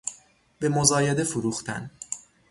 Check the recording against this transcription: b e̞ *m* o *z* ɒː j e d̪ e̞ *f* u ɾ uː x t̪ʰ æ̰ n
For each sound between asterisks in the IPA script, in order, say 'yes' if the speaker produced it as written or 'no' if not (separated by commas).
yes, yes, yes